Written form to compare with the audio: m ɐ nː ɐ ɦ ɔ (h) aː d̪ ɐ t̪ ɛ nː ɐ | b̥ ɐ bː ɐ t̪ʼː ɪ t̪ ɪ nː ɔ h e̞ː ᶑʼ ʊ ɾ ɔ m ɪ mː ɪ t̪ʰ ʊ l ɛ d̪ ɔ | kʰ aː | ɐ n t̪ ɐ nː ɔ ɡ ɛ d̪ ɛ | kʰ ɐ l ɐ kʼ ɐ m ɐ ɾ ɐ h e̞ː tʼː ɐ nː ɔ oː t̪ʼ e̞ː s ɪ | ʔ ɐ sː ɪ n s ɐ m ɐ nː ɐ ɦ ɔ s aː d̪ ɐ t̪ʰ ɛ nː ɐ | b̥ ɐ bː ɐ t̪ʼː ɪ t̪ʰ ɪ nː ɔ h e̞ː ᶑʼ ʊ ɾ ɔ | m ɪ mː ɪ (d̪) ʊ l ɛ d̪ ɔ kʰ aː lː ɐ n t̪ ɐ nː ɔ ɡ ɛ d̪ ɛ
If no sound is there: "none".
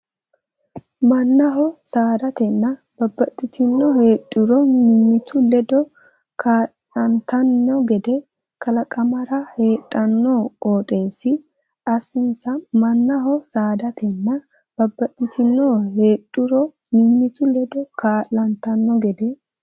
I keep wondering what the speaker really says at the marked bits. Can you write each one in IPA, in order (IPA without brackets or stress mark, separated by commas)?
s, t̪